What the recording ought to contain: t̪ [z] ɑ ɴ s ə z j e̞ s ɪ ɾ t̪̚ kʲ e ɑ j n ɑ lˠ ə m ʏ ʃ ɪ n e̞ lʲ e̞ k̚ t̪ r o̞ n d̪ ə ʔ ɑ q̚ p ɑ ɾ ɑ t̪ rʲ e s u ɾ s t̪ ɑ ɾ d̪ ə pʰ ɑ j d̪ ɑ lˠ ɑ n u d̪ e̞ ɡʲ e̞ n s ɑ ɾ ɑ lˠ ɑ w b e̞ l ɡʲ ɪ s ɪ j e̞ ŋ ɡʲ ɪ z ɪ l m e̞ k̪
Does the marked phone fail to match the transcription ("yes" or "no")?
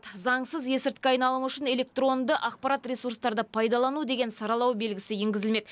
no